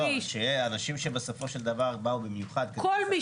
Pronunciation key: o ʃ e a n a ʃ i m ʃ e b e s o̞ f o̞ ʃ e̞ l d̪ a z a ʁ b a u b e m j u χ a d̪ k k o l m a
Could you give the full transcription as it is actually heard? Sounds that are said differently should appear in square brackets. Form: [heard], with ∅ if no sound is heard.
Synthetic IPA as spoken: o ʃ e a n a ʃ i m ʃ e b e s o̞ f o̞ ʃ e̞ l d̪ a [v] a ʁ b a u b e m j u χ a d̪ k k o l m [i]